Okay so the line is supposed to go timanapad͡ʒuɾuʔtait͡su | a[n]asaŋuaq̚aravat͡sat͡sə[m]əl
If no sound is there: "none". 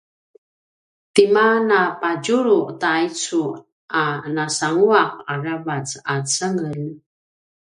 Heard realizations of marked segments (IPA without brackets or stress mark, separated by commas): n, ŋ